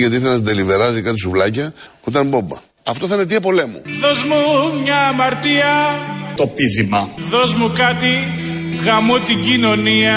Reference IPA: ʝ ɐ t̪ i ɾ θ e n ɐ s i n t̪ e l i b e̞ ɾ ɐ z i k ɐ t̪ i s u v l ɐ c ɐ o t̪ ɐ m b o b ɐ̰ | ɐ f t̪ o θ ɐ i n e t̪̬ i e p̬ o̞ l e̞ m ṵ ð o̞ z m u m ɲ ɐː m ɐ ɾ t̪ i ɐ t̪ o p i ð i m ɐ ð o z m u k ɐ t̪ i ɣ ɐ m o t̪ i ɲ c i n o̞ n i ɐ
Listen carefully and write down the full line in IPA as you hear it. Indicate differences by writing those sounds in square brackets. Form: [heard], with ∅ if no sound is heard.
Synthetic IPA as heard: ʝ ɐ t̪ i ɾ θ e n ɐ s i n [d̪] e l i [v] e̞ ɾ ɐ z i k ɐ t̪ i s u v l ɐ c ɐ o t̪ ɐ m b o b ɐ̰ | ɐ f t̪ o θ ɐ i n e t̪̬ i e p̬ o̞ l e̞ m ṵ ð o̞ z m u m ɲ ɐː m ɐ ɾ t̪ i ɐ t̪ o p i ð i m ɐ ð o z m u k ɐ t̪ i ɣ ɐ m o t̪ i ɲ [ɟ] i n o̞ n i ɐ